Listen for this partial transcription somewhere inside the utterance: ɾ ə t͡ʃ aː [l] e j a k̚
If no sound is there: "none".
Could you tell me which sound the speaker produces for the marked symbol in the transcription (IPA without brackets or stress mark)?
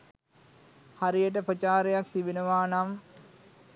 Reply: ɾ